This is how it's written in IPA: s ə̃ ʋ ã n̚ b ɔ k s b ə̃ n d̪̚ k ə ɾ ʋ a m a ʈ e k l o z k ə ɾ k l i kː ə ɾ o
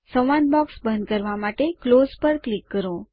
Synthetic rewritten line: s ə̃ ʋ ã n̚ b ɔ k s b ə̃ n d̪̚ k ə ɾ ʋ a m a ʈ e k l o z p ə ɾ k l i kː ə ɾ o